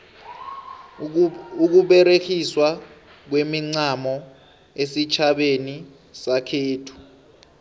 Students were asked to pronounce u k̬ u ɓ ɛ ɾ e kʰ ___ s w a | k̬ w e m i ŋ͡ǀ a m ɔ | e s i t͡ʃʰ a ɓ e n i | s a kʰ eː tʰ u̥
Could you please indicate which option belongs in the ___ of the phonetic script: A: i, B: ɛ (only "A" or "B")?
A